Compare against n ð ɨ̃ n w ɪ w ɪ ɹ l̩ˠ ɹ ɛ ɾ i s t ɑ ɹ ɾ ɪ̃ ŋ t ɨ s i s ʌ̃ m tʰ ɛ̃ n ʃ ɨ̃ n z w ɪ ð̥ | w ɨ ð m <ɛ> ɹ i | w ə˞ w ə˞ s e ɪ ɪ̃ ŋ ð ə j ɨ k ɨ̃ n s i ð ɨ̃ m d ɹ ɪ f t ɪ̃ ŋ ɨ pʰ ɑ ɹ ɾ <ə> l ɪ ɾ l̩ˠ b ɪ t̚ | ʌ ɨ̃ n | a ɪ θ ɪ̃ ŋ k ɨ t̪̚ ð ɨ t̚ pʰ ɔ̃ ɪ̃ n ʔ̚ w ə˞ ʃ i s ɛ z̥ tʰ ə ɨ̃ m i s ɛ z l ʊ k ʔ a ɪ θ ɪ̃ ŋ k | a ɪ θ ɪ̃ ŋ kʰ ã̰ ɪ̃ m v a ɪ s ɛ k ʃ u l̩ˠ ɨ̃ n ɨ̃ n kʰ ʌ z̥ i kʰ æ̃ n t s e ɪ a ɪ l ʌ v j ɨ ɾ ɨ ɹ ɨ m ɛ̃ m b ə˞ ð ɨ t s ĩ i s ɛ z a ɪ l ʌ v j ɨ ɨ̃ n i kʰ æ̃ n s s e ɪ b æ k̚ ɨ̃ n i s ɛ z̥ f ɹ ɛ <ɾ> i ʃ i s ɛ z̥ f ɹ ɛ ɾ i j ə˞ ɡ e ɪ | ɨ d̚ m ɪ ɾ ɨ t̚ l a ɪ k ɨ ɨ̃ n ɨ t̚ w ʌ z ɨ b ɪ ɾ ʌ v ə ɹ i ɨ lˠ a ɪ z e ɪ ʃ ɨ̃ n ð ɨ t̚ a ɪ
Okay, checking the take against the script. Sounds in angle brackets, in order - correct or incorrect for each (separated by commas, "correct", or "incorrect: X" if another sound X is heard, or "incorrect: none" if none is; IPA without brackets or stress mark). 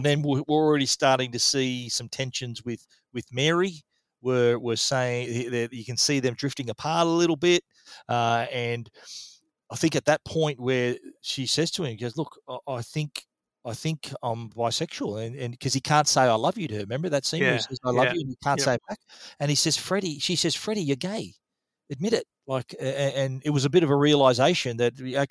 correct, correct, correct